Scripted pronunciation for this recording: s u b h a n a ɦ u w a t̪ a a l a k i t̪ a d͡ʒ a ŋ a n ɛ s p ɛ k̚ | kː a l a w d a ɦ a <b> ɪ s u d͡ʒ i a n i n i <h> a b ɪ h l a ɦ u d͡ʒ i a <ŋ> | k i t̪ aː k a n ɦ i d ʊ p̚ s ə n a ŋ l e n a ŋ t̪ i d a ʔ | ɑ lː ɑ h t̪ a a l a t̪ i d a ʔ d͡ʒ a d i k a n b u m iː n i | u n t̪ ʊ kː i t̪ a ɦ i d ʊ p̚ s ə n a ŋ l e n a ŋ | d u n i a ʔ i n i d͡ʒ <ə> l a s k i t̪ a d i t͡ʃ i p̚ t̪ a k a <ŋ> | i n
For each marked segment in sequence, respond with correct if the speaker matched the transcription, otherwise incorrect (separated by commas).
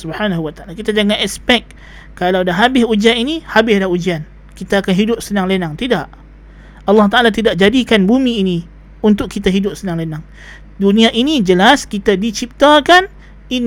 correct, correct, incorrect, correct, incorrect